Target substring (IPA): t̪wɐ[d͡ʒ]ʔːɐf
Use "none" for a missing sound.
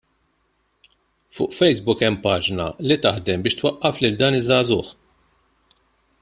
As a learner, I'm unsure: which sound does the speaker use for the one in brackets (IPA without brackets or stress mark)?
none